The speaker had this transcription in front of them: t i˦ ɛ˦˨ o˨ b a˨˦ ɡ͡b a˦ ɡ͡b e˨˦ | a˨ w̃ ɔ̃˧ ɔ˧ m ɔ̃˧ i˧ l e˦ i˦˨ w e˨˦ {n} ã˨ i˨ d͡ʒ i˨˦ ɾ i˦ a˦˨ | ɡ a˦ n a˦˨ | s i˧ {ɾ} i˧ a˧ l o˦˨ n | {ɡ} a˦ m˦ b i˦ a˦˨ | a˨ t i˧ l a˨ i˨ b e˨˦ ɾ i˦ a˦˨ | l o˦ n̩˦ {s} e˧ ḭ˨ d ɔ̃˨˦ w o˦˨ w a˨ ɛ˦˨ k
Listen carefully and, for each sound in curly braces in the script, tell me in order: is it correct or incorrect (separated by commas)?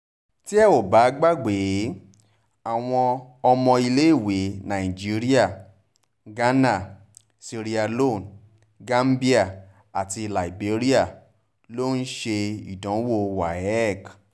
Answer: correct, correct, correct, incorrect